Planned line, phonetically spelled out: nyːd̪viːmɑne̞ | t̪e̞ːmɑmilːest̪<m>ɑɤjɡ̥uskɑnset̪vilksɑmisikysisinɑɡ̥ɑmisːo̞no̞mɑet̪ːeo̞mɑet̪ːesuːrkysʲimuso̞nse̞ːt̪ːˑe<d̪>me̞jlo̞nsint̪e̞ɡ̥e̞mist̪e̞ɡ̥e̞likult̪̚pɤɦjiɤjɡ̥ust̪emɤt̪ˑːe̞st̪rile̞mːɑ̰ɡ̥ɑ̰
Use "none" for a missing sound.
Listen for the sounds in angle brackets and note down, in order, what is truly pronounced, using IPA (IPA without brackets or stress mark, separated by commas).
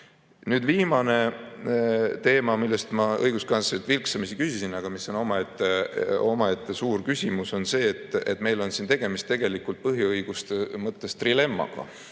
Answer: m, t̪